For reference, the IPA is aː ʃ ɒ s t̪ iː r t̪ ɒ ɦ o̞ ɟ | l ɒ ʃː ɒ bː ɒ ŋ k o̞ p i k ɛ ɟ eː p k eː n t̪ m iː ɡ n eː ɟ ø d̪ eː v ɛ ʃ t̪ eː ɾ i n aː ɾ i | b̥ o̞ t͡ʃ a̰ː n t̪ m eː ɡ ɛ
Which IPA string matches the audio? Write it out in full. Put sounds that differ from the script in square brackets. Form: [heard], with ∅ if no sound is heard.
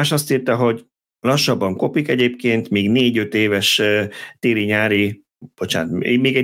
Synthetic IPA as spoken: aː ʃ ɒ s t̪ iː r t̪ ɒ ɦ o̞ ɟ | l ɒ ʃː ɒ bː ɒ ŋ k o̞ p i k ɛ ɟ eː p k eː n t̪ m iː ɡ n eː ɟ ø [t̪] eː v ɛ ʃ t̪ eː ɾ i [ɲ] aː ɾ i | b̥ o̞ t͡ʃ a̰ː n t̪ m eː ɡ ɛ